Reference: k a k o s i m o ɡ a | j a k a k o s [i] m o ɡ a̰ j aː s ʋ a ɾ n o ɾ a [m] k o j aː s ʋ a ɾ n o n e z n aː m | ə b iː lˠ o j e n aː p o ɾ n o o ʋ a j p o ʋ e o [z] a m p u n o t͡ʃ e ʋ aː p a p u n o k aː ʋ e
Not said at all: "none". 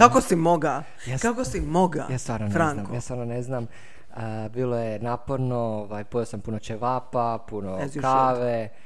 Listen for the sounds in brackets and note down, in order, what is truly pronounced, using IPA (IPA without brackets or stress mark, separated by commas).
i, ŋ, s